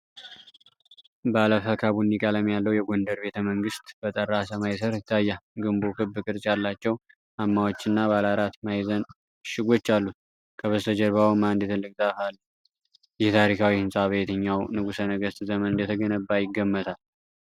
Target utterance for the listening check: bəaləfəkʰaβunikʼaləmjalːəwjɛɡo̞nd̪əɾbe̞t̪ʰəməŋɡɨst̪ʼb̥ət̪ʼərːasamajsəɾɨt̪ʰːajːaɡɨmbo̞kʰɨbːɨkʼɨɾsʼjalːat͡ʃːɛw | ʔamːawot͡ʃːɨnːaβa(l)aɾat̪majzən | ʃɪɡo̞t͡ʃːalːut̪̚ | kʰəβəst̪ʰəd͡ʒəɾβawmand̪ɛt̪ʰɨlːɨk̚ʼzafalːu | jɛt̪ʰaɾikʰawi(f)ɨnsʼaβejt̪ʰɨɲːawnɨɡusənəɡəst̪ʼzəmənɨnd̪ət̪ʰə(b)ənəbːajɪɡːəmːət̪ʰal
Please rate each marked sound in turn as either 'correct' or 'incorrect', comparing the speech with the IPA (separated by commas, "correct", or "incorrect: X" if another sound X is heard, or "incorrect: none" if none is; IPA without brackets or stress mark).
correct, incorrect: h, incorrect: ɡ